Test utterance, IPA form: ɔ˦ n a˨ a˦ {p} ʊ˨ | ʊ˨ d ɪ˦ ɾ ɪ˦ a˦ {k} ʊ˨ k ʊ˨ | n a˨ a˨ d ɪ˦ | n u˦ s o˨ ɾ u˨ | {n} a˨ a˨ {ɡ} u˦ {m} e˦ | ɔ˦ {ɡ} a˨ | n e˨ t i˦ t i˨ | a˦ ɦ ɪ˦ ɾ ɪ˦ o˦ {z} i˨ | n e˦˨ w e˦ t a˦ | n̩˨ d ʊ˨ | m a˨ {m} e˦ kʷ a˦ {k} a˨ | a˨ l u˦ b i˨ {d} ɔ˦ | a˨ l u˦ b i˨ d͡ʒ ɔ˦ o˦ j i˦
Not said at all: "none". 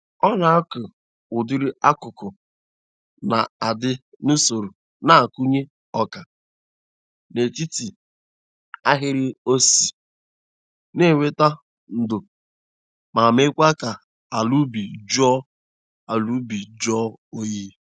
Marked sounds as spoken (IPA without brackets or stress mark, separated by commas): k, k, n, k, ɲ, k, s, m, k, d͡ʒ